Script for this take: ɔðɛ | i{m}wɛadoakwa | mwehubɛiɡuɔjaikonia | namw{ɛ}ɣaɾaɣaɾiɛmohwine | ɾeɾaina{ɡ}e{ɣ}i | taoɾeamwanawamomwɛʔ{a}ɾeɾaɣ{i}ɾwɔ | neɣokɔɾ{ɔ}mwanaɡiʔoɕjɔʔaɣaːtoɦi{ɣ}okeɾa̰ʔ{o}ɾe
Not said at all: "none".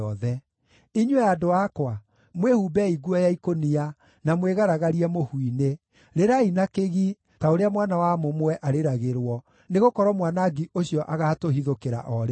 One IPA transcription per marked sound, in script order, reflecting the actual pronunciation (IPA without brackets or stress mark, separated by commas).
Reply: ɲ, e, k, ɣ, a, e, ɔ, ð, ɔ